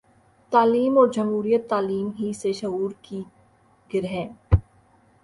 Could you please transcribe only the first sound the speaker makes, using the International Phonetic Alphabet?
t̪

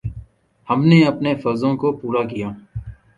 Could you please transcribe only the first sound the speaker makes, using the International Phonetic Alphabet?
h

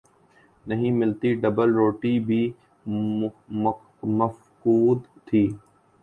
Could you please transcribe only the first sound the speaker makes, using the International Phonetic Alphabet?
n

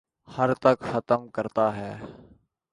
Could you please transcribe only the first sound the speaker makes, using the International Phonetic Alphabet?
h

